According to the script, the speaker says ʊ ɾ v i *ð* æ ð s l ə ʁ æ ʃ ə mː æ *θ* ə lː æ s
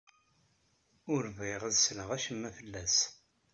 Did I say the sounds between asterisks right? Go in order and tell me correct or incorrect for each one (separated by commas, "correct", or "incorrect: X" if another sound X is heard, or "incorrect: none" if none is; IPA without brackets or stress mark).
incorrect: ʁ, incorrect: f